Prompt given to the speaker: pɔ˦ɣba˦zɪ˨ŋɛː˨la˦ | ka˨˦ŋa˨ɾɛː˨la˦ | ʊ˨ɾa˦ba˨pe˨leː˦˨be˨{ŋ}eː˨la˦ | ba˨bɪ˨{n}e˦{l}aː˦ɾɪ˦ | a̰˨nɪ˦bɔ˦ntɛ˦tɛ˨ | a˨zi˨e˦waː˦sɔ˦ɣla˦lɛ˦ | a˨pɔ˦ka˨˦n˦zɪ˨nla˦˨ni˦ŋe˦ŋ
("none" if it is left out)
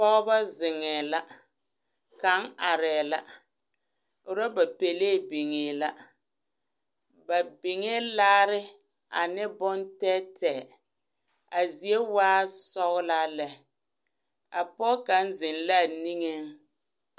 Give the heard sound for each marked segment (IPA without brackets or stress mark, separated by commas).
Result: ŋ, ŋ, l